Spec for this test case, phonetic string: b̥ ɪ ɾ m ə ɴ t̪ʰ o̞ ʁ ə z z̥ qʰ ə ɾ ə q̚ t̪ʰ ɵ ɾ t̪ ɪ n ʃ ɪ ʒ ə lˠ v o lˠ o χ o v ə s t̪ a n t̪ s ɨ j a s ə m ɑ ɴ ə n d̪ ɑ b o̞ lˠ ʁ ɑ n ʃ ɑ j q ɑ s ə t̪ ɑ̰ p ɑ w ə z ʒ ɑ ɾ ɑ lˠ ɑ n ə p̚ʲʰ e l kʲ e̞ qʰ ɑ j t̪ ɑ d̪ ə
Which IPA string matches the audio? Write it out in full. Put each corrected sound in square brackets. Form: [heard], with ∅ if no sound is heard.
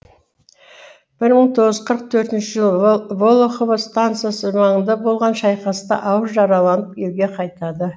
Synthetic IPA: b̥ ɪ ɾ m ə ɴ t̪ʰ o̞ ʁ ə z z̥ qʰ ə ɾ ə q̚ t̪ʰ ɵ ɾ t̪ ɪ n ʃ ɪ ʒ ə lˠ v o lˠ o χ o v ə s t̪ a n t̪ s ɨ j a s ə m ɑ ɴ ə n d̪ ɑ b o̞ lˠ ʁ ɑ n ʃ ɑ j q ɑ s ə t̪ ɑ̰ [ʔ] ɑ w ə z ʒ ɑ ɾ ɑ lˠ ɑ n ə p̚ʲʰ e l [ɡʲ] e̞ qʰ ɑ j t̪ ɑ d̪ ə